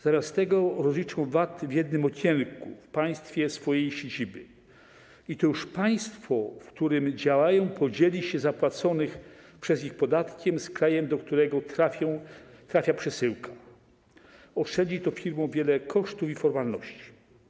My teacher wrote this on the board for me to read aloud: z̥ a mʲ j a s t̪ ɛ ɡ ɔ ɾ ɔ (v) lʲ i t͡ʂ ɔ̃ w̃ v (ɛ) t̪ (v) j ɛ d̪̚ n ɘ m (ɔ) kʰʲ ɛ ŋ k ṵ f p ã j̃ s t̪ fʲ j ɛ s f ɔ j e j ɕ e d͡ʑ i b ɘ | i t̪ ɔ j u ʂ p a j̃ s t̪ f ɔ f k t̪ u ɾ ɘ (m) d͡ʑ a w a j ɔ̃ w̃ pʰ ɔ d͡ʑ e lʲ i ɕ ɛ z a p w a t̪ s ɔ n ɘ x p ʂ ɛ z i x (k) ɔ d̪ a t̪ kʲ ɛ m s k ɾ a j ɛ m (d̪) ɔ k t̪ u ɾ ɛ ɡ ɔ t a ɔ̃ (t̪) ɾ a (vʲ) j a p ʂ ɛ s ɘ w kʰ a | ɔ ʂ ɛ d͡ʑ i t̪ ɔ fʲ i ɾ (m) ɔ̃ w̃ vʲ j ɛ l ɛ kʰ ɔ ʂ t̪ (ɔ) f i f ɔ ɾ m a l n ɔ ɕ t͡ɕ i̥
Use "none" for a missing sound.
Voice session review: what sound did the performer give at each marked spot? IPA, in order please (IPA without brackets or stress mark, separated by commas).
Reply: z, a, v, ɔ, m, p, d̪, t̪, fʲ, m, u